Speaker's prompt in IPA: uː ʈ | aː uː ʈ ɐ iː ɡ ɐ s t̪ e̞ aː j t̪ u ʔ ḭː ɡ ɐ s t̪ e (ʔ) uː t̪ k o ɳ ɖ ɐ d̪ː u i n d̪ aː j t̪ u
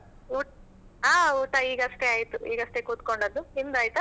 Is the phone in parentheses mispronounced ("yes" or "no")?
yes